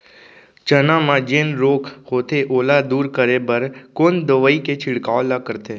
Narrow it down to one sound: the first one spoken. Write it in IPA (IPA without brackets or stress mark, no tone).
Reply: t͡ʃ